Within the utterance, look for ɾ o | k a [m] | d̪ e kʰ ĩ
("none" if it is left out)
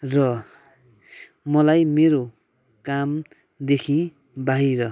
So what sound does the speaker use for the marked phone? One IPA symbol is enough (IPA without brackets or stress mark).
m